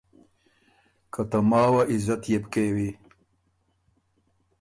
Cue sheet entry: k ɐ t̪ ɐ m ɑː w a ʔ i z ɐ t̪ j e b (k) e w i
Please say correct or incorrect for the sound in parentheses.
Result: correct